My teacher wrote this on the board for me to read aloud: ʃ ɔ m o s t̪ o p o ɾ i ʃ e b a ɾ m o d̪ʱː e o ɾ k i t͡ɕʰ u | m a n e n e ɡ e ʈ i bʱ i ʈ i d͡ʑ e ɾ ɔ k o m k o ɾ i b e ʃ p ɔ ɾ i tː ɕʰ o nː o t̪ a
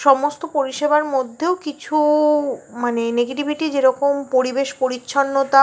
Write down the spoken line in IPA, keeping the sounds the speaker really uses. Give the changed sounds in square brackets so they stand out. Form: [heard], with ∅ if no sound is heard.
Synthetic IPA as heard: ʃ ɔ m o s t̪ o p o ɾ i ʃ e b a ɾ m o d̪ʱː e o [∅] k i t͡ɕʰ u | m a n e n e ɡ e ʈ i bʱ i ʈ i d͡ʑ e ɾ ɔ k o m [p] o ɾ i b e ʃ p [o] ɾ i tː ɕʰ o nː o t̪ a